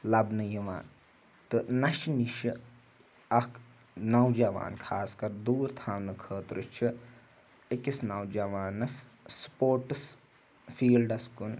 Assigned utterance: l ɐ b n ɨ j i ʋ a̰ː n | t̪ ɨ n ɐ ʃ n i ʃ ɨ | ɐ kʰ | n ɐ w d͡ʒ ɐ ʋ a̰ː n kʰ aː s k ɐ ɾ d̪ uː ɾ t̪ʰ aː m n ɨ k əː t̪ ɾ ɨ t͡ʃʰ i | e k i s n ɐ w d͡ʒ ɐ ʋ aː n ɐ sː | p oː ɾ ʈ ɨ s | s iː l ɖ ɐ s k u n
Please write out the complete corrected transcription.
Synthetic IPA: l ɐ b n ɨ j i ʋ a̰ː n | t̪ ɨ n ɐ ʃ n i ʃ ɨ | ɐ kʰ | n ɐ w d͡ʒ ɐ ʋ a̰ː n kʰ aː s k ɐ ɾ d̪ uː ɾ t̪ʰ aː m n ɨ kʰ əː t̪ ɾ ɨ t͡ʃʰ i | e k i s n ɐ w d͡ʒ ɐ ʋ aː n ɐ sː | p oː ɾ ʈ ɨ s | f iː l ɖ ɐ s k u n